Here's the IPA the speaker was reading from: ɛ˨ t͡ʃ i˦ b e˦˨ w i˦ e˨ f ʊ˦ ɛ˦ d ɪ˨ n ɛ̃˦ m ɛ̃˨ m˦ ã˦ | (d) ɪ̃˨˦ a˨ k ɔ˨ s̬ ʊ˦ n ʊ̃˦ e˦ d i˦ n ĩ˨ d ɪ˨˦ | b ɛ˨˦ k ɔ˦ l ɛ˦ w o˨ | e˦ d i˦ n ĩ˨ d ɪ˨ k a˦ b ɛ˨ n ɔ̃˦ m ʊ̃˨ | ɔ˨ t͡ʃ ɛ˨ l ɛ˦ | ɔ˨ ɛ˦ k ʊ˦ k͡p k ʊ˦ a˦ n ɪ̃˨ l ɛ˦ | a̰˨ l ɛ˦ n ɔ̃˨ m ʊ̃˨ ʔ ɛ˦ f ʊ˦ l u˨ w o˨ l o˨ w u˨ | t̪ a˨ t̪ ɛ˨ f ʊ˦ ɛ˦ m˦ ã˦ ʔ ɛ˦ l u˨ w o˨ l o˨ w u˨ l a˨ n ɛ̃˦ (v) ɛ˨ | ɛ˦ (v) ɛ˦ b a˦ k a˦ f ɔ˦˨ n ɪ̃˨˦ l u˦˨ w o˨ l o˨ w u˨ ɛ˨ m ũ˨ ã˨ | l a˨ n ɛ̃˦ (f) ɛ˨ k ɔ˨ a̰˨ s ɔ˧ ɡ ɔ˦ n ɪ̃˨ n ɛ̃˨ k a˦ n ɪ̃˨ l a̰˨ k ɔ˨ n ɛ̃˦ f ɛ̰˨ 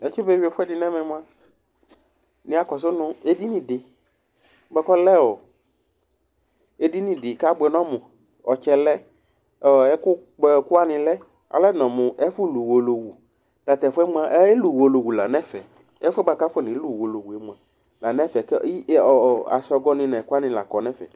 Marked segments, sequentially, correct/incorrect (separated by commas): incorrect, incorrect, incorrect, correct